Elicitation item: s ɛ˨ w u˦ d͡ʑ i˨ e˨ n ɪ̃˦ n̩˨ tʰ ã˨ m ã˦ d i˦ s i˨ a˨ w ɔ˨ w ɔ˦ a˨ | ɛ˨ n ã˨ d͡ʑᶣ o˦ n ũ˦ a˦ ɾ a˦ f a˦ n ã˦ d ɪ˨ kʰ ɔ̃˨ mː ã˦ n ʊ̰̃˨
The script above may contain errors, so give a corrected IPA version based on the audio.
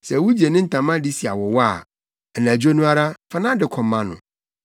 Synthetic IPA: s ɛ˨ w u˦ d͡ʑ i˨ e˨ n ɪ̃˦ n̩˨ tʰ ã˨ m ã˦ d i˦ s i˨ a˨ w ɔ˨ w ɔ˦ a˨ | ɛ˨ n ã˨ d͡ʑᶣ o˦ n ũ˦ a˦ ɾ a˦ f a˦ n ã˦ d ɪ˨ kʰ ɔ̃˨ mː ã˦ n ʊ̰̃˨